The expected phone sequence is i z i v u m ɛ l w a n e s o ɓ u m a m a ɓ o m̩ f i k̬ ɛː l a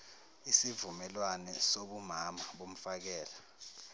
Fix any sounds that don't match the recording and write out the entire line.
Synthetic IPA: i s i v u m ɛ l w a n ɛ s o ɓ u m a m a ɓ o m̩ f a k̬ ɛː l a